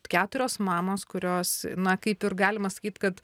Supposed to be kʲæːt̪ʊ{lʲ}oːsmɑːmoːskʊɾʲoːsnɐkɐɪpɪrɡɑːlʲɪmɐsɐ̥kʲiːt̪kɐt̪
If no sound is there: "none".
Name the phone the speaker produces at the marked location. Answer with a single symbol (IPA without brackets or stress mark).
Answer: ɾʲ